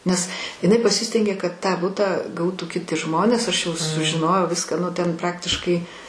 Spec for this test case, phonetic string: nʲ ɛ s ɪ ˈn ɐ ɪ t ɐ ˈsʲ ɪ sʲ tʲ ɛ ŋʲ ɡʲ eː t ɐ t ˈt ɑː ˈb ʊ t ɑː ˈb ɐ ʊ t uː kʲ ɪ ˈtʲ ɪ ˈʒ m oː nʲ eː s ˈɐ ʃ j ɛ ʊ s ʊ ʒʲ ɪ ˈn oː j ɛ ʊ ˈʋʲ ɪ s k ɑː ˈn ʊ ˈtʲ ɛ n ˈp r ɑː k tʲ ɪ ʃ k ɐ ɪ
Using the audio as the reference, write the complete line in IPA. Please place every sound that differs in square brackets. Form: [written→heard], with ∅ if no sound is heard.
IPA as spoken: nʲ ɛ s ɪ ˈn ɐ ɪ [t→p] ɐ ˈsʲ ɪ sʲ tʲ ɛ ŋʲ ɡʲ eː [t→k] ɐ t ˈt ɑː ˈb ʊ t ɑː [ˈb→ˈɡ] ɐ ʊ t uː kʲ ɪ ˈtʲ ɪ ˈʒ m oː nʲ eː s ˈɐ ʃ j ɛ ʊ s ʊ ʒʲ ɪ ˈn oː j ɛ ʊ ˈʋʲ ɪ s k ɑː ˈn ʊ ˈtʲ ɛ n ˈp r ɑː k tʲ ɪ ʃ k ɐ ɪ